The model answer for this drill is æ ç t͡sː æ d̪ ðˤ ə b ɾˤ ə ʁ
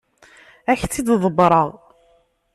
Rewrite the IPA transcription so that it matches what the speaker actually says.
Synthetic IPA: æ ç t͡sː i d̪ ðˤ ə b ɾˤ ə ʁ